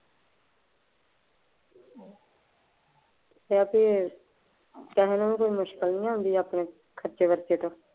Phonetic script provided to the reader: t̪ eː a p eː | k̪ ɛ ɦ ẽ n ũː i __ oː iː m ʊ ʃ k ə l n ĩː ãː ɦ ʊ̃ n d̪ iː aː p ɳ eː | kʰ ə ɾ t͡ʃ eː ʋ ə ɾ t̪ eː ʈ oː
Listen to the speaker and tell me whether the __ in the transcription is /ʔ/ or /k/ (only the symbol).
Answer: k